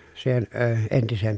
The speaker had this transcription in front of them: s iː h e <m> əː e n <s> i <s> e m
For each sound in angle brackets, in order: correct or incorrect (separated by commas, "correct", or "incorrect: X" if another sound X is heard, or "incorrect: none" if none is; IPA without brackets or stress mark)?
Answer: incorrect: n, incorrect: t, correct